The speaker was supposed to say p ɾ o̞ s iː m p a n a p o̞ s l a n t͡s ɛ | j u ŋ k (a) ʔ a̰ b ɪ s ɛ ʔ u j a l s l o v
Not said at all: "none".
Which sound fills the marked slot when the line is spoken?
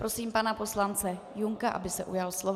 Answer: a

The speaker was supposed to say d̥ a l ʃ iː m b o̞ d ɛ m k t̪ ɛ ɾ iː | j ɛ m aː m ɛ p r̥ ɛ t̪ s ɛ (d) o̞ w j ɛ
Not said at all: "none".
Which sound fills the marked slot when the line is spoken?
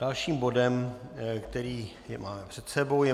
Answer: b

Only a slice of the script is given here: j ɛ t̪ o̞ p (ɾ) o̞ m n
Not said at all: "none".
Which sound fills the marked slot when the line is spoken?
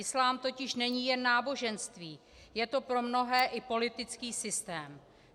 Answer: ɾ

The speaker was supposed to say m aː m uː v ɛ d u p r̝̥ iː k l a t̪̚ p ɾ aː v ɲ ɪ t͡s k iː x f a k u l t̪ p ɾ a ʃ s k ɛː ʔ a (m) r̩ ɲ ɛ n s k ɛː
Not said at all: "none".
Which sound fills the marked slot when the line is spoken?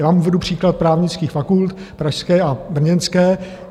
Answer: b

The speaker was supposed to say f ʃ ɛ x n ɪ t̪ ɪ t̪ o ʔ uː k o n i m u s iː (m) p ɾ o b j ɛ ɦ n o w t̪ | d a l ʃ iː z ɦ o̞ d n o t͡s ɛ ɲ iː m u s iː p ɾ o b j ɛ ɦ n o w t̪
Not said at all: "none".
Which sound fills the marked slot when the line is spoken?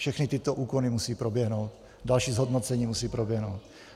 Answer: none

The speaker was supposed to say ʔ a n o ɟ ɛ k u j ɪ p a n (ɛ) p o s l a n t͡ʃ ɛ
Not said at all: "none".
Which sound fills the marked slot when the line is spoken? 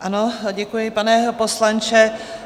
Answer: ɛ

